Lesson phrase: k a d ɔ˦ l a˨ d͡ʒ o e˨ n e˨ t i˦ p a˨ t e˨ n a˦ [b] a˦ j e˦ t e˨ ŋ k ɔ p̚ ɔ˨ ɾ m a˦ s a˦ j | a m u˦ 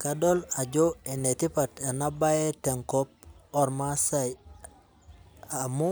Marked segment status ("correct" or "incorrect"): correct